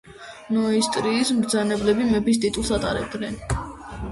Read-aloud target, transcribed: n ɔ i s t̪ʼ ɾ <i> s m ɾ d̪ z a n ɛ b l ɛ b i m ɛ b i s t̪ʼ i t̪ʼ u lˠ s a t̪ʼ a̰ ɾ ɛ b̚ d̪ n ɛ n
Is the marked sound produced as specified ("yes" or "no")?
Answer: no